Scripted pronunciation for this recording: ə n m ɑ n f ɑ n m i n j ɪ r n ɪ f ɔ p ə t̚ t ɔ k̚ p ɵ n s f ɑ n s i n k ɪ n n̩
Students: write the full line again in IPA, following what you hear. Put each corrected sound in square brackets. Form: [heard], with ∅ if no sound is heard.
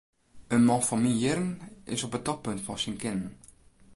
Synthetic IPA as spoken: ə n m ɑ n f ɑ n m i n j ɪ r n ɪ [s] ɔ p ə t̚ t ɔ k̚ p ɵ n [t] f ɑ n s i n k ɪ n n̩